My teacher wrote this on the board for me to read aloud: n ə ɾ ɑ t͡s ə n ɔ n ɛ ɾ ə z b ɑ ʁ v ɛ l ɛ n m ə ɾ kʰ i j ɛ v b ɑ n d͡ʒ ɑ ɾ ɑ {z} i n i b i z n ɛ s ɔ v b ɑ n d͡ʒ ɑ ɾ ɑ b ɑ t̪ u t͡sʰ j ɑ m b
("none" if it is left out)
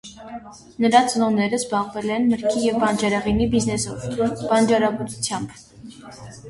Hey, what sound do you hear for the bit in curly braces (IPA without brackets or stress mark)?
ʁ